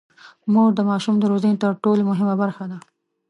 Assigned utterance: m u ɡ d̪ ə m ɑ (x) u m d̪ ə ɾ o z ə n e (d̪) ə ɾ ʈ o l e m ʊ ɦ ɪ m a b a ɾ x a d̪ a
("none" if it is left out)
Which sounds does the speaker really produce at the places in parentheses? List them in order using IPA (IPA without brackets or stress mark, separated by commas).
ʃ, t̪